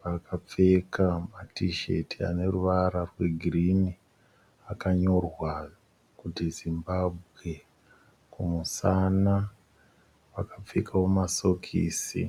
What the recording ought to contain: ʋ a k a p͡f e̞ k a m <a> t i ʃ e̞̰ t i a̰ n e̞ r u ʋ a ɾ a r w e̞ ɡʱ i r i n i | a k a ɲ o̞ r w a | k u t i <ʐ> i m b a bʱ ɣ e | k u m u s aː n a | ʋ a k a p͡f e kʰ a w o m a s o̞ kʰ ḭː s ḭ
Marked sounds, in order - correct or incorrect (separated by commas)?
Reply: correct, incorrect